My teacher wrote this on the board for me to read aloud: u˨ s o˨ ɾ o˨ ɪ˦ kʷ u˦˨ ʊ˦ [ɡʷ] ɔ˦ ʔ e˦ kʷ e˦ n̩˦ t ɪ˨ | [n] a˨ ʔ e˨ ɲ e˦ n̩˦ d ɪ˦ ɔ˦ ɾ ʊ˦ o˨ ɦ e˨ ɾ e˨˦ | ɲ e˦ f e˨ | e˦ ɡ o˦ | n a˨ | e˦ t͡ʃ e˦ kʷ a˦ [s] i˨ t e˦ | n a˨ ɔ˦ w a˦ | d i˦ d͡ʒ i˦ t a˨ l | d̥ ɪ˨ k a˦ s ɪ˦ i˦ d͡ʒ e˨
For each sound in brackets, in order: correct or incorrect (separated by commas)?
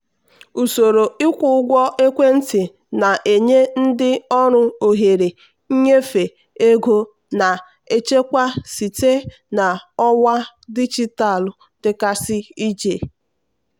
correct, correct, correct